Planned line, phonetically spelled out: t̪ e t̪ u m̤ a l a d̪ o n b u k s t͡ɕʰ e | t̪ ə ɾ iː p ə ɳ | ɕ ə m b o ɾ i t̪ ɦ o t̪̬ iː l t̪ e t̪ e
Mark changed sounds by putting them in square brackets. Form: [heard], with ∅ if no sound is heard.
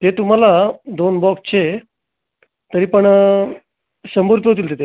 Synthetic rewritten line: t̪ e t̪ u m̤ a l a d̪ o n b [ɔ] k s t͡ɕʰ e | t̪ ə ɾ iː p ə ɳ | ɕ ə m b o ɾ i t̪ ɦ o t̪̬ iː l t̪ e t̪ e